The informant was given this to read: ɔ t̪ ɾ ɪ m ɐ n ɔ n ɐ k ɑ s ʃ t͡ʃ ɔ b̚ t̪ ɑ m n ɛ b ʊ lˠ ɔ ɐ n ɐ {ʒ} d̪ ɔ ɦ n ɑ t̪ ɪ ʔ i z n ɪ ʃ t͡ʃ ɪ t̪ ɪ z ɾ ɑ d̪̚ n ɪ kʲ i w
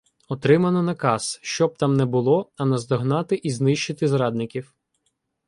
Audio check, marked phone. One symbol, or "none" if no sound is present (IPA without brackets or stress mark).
z